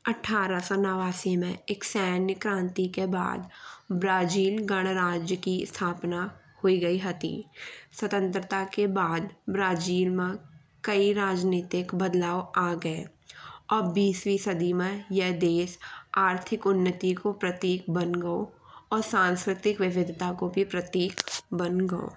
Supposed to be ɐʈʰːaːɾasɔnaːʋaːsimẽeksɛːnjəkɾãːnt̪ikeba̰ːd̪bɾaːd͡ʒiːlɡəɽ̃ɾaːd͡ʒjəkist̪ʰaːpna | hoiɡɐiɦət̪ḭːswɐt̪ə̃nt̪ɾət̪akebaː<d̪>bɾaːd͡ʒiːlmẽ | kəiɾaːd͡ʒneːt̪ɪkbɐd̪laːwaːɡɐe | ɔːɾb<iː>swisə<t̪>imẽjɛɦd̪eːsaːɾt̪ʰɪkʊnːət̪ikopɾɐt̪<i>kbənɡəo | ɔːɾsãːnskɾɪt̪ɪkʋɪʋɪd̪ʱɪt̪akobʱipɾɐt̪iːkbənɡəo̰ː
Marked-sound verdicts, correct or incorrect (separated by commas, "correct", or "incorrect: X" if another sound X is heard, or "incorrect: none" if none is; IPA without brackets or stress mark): correct, correct, incorrect: d̪, incorrect: iː